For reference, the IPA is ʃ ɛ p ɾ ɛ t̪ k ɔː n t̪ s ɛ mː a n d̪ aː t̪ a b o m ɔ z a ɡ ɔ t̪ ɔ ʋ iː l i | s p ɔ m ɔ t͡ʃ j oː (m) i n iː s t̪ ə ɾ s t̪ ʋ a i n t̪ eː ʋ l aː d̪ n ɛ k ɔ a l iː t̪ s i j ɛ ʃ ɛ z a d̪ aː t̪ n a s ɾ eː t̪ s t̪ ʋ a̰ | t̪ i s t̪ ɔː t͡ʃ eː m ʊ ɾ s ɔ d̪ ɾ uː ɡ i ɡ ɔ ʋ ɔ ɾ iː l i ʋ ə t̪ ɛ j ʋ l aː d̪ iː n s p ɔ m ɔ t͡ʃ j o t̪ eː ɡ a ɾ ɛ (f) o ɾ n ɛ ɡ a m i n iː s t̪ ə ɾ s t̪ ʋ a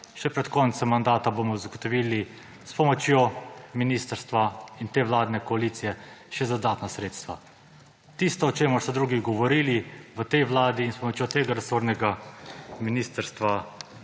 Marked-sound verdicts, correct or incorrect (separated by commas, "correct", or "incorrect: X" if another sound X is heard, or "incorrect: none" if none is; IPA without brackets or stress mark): correct, incorrect: s